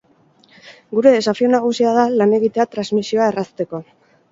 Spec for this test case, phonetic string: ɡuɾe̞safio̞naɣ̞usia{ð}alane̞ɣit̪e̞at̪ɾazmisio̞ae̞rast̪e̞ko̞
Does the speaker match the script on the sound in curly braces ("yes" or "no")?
yes